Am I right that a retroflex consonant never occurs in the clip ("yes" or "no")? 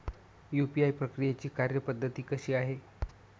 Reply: yes